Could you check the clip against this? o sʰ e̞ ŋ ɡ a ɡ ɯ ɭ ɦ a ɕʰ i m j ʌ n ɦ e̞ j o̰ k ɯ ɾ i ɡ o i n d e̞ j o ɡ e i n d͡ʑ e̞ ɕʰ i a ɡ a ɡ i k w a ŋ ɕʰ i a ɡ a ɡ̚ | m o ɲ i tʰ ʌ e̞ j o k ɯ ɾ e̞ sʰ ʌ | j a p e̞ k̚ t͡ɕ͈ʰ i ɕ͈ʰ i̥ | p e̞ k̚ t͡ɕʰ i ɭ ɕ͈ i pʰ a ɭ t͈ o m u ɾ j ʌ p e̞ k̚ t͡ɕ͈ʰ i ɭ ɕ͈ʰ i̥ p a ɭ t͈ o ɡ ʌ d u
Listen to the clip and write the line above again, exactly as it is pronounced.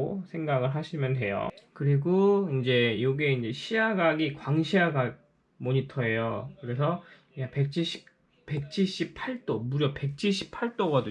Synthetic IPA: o sʰ e̞ ŋ ɡ a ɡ ɯ ɭ ɦ a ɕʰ i m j ʌ n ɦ e̞ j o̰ k ɯ ɾ i ɡ o i n d͡ʑ e̞ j o ɡ e i n d͡ʑ e̞ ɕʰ i a ɡ a ɡ i k w a ŋ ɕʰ i a ɡ a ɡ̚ | m o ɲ i tʰ ʌ e̞ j o k ɯ ɾ e̞ sʰ ʌ | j a p e̞ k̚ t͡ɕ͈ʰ i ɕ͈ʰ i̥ | p e̞ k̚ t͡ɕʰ i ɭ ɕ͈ i pʰ a ɭ t͈ o m u ɾ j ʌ p e̞ k̚ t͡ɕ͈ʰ i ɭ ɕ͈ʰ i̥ pʰ a ɭ t͈ o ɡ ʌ d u